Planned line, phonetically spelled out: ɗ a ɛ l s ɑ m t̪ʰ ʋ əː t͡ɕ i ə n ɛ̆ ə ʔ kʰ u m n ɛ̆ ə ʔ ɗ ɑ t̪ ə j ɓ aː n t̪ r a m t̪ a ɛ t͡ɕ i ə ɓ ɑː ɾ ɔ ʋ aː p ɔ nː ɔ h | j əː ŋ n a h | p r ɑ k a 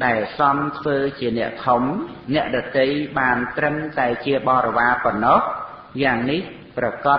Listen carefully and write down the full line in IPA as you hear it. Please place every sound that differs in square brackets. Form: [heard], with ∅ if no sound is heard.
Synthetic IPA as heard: ɗ a ɛ l s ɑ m t̪ʰ ʋ əː t͡ɕ i ə n ɛ̆ ə ʔ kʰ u m n ɛ̆ ə ʔ ɗ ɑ t̪ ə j ɓ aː n t̪ r [ə] m t̪ a ɛ t͡ɕ i ə ɓ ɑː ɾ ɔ ʋ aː p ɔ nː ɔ h | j [aː] ŋ n [i] h | p r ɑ k [ɑ]